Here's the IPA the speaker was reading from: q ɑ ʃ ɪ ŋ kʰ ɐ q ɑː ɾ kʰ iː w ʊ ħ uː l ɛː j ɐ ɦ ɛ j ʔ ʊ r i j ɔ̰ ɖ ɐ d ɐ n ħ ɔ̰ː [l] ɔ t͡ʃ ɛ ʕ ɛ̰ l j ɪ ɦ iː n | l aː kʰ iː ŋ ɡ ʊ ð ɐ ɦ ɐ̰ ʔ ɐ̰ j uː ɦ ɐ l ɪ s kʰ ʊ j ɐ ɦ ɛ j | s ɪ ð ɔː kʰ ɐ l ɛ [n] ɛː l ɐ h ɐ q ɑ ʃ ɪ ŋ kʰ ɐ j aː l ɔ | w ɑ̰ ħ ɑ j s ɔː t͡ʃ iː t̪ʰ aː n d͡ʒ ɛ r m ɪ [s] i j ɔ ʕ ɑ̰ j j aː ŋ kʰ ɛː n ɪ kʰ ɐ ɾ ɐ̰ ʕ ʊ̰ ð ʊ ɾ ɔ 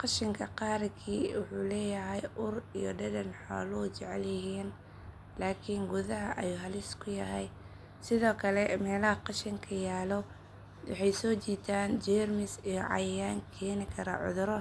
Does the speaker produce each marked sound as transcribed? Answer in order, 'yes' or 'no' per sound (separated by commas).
yes, no, yes